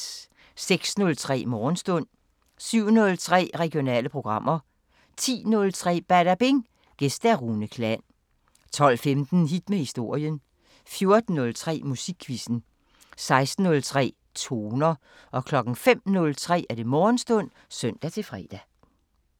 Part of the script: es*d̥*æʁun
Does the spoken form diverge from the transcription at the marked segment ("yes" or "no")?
no